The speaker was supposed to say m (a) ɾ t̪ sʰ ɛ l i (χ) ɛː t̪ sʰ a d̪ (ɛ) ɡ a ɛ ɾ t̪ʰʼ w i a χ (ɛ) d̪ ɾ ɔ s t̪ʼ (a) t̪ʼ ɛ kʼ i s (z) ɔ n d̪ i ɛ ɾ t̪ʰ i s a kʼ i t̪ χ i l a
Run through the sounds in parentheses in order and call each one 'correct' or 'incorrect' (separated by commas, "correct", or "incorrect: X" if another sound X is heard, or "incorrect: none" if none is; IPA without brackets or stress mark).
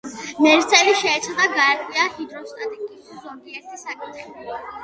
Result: incorrect: ɛ, incorrect: ʃ, incorrect: a, incorrect: i, correct, correct